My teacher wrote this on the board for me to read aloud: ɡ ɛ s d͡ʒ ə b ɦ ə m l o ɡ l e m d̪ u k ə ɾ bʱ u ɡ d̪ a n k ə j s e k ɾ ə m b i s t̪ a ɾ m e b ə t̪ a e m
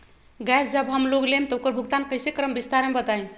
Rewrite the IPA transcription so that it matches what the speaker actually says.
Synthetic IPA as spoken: ɡ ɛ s d͡ʒ ə b ɦ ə m l o ɡ l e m t̪ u k ə ɾ bʱ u ɡ t̪ a n k ə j s e k ɾ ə m b i s t̪ a ɾ m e b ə t̪ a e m